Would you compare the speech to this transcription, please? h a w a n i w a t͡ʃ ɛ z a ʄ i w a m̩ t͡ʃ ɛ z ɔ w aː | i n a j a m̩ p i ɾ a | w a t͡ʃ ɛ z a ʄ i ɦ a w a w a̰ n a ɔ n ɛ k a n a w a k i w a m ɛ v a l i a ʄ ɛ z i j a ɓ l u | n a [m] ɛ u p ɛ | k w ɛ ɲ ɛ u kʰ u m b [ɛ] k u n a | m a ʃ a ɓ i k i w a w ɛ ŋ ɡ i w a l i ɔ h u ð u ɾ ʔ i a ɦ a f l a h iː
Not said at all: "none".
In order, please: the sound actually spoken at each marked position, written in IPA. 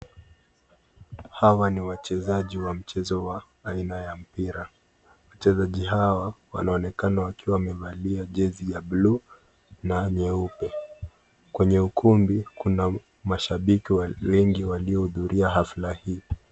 ɲ, i

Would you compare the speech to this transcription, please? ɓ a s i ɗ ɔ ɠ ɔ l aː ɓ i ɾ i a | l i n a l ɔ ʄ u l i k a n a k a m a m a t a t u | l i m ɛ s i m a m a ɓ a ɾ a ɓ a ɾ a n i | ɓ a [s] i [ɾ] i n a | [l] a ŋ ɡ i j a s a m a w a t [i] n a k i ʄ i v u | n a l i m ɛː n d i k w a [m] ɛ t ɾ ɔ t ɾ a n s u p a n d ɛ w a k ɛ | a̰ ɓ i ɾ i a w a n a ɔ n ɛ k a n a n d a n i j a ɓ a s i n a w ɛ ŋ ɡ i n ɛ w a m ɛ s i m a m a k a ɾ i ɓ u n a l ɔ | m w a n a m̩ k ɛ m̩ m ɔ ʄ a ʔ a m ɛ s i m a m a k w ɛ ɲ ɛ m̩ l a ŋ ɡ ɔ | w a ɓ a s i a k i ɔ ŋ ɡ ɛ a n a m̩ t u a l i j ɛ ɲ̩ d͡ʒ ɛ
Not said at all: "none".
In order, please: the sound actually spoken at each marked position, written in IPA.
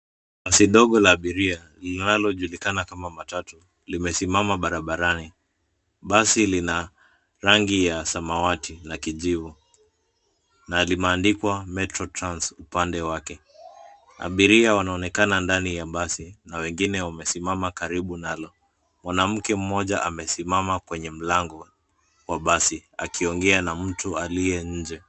s, l, ɾ, i, m

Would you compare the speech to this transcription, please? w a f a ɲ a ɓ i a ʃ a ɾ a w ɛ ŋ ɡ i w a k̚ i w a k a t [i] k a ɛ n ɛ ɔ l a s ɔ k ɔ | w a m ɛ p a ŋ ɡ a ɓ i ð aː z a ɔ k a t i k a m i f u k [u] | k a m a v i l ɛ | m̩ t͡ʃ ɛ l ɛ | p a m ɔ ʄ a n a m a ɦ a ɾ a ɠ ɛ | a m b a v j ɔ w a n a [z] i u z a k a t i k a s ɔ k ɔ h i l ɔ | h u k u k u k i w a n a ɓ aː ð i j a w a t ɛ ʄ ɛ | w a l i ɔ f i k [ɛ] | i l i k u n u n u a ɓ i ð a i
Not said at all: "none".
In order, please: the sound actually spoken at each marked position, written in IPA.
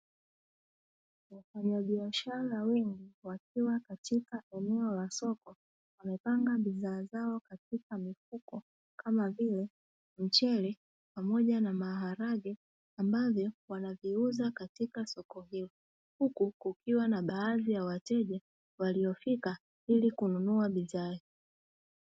i, ɔ, v, a

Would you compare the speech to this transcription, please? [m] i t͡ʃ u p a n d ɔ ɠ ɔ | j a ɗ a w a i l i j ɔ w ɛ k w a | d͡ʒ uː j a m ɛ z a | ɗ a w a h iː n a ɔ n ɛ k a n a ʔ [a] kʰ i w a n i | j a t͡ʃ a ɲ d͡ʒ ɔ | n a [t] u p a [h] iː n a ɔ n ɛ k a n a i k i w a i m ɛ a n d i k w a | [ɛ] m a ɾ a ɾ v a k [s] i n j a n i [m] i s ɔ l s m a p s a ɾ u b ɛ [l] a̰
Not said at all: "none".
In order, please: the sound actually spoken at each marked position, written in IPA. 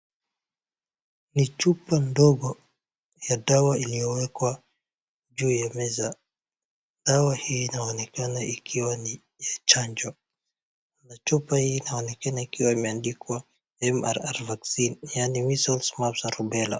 n, i, t͡ʃ, h, ɛ, s, m, l

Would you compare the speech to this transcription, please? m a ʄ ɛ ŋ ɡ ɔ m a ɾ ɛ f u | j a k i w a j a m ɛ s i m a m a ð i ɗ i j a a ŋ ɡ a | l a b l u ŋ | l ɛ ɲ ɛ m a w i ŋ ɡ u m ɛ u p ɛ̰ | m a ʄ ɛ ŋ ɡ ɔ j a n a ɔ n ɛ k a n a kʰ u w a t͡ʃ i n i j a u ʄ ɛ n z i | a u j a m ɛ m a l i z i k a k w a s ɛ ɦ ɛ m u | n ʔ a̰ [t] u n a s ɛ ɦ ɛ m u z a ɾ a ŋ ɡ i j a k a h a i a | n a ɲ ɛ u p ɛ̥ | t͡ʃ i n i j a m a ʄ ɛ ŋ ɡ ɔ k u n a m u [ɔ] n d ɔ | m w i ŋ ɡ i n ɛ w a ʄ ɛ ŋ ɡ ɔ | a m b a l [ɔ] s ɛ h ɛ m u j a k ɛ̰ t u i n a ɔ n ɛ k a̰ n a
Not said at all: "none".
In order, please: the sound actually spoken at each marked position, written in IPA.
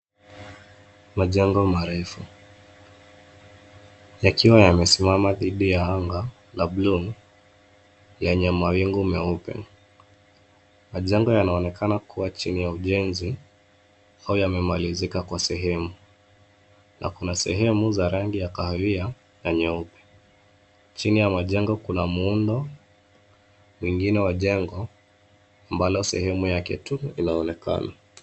k, u, ɔ

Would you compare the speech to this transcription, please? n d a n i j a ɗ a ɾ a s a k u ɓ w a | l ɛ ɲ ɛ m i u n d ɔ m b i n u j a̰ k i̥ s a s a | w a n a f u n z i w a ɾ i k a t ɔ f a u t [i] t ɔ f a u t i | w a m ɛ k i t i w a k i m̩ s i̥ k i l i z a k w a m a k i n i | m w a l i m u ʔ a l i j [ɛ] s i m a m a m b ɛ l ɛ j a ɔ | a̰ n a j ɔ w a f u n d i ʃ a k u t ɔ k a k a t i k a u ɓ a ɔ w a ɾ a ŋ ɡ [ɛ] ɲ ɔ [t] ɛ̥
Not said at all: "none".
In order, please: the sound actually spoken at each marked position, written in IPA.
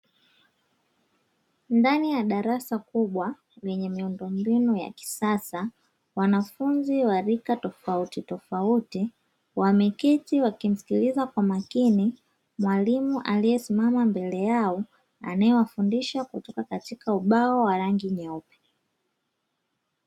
i, ɛ, i, p

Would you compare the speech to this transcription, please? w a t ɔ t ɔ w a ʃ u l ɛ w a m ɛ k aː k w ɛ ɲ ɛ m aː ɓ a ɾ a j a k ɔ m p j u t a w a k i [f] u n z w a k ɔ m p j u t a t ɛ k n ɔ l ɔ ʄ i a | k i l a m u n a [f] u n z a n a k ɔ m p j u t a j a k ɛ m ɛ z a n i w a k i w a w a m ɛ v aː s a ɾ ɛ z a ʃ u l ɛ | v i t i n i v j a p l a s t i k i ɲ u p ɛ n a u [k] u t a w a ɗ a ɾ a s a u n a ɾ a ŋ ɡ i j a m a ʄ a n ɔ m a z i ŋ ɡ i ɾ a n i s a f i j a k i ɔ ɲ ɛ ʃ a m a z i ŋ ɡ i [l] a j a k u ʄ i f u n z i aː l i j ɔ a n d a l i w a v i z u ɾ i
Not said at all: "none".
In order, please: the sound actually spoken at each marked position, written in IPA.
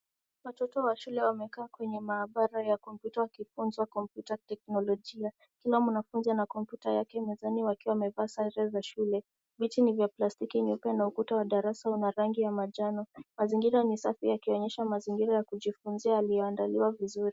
f, f, k, ɾ

